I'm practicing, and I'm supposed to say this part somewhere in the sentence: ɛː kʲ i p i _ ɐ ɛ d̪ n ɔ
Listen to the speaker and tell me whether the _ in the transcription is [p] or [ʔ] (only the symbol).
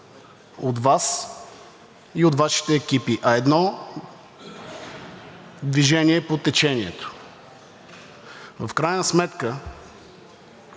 ʔ